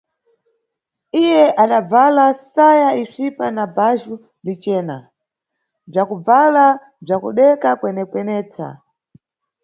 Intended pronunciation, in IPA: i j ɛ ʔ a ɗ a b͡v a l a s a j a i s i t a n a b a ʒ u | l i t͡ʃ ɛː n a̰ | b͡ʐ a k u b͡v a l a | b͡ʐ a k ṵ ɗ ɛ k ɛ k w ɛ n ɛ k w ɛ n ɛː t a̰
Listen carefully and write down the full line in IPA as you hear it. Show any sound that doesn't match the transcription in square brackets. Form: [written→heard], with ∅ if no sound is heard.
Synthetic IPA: i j ɛ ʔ a ɗ a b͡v a l a s a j a i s i [t→p] a n a b a ʒ u | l i t͡ʃ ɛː n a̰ | b͡ʐ a k u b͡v a l a | b͡ʐ a k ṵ ɗ ɛ k [ɛ→a] k w ɛ n ɛ k w ɛ n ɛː [t→t͡s] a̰

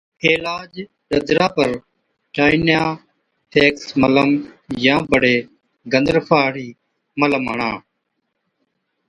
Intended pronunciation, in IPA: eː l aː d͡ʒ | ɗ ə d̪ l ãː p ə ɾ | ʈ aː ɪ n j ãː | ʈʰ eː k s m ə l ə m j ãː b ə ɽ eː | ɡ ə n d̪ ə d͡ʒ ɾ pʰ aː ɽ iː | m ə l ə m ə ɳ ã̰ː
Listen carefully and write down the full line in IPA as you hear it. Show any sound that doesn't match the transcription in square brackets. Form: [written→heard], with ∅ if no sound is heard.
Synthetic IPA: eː l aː d͡ʒ | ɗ ə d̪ [l→ɾ] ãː p ə ɾ | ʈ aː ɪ n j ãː | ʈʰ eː k s m ə l ə m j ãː b ə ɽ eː | ɡ ə n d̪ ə [d͡ʒ→∅] ɾ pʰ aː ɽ iː | m ə l ə m ə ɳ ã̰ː

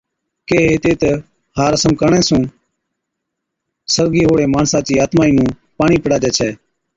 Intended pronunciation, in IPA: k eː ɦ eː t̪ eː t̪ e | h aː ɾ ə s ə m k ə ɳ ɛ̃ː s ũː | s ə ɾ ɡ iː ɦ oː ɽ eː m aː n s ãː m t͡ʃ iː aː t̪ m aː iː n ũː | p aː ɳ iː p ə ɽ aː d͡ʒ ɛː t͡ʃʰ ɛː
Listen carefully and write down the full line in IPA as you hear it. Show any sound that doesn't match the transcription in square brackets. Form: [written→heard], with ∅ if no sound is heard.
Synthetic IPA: k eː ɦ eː t̪ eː t̪ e | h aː ɾ ə s ə m k ə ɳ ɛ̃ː s ũː | s ə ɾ ɡ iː ɦ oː ɽ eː m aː n s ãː [m→∅] t͡ʃ iː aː t̪ m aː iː n ũː | p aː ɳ iː p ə ɽ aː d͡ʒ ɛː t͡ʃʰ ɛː

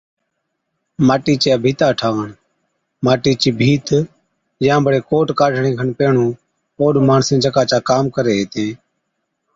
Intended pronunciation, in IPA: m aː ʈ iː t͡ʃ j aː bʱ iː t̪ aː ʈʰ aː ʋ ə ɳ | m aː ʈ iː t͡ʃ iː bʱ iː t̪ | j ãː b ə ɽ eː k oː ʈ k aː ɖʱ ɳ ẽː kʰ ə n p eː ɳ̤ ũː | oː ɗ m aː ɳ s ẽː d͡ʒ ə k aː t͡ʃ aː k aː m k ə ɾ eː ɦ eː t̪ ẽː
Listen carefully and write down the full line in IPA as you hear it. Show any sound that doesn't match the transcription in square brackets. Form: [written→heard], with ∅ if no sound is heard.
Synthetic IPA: m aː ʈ iː t͡ʃ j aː bʱ iː t̪ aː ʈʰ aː ʋ ə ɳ | m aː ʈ iː t͡ʃ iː bʱ iː t̪ | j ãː b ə ɽ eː k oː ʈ k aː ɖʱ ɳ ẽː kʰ ə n p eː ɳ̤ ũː | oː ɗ m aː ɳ s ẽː d͡ʒ ə k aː t͡ʃ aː k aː m k ə ɾ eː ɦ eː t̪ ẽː

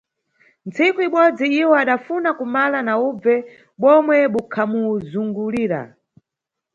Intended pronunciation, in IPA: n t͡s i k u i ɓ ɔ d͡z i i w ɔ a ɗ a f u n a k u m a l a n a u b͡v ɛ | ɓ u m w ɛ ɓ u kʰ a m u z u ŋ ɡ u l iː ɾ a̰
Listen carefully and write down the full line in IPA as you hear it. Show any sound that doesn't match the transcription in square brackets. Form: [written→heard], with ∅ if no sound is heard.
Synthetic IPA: n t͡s i k u i ɓ ɔ d͡z i i w ɔ a ɗ a f u n a k u m a l a n a u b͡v ɛ | ɓ [u→ɔ] m w ɛ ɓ u kʰ a m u z u ŋ ɡ u l iː ɾ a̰

